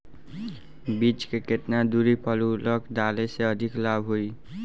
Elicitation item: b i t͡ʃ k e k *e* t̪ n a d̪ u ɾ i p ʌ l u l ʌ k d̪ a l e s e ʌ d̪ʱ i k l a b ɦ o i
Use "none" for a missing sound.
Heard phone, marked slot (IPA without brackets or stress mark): e